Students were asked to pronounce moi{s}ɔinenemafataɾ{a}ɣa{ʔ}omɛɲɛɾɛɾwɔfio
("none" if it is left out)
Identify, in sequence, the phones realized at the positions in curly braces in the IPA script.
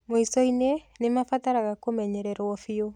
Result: s, a, k

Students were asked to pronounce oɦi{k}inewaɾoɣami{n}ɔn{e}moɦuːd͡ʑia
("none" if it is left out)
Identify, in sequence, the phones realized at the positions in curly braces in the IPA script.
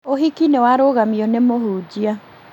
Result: k, none, e

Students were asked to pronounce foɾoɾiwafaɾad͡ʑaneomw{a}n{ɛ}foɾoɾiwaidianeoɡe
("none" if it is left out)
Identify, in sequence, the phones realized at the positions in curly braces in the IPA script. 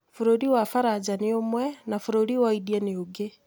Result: ɛ, a

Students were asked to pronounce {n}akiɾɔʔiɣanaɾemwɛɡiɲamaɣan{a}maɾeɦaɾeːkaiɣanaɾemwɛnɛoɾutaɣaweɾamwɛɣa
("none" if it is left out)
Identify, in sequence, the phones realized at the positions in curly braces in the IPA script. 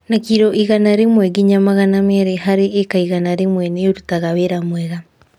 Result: n, a

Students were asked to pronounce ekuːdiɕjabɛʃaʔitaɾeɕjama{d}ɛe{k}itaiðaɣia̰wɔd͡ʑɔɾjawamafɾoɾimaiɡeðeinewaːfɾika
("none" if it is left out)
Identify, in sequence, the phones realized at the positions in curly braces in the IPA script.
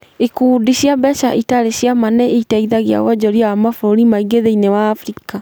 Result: n, none

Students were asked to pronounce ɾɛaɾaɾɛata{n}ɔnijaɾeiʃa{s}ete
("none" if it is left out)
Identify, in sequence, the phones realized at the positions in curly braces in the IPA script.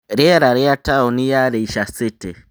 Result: none, s

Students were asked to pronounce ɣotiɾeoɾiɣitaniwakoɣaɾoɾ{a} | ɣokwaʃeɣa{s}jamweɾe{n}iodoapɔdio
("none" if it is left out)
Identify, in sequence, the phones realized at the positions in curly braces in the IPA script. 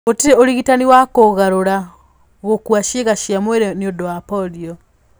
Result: a, ʃ, n

